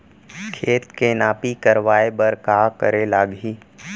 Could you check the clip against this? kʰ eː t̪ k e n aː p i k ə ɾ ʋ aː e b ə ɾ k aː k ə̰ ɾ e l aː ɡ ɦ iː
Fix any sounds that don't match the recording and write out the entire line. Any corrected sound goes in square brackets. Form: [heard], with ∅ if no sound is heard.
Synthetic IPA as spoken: kʰ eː t̪ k e n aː p i k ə ɾ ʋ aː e b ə ɾ k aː k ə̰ ɾ e l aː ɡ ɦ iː